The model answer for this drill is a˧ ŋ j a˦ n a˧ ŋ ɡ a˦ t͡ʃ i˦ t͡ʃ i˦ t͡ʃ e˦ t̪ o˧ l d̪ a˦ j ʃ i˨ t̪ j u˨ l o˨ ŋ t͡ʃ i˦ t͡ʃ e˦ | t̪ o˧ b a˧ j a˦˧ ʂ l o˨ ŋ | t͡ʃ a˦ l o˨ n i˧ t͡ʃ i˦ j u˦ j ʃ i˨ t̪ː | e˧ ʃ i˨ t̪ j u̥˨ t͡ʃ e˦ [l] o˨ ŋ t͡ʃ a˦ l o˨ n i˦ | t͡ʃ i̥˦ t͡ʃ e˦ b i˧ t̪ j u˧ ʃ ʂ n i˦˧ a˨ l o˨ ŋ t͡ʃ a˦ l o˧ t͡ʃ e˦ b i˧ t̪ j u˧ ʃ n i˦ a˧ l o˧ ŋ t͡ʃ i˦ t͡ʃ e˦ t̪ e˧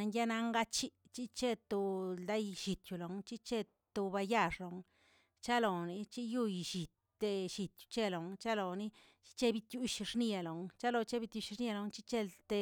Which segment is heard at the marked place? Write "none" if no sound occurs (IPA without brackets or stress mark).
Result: l